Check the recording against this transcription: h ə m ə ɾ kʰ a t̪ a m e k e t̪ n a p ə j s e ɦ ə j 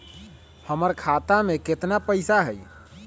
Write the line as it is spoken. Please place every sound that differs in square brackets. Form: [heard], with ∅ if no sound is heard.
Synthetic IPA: h ə m ə ɾ kʰ a t̪ a m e k e t̪ n a p ə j s [a] ɦ ə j